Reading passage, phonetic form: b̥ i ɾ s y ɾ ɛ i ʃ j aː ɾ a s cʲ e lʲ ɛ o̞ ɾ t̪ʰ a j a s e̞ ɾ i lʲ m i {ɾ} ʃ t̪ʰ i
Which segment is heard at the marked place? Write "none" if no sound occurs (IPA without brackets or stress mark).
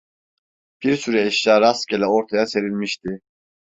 none